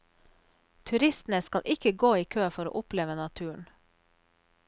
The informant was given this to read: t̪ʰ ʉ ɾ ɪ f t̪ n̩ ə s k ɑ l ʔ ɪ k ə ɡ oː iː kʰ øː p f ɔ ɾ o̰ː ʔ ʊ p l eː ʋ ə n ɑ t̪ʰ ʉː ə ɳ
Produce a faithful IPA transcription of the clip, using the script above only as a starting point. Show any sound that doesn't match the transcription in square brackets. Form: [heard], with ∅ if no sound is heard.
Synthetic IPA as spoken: t̪ʰ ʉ ɾ ɪ [s] t̪ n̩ ə s k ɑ l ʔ ɪ k ə ɡ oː iː kʰ øː [∅] f ɔ ɾ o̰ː ʔ ʊ p l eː ʋ ə n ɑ t̪ʰ ʉː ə ɳ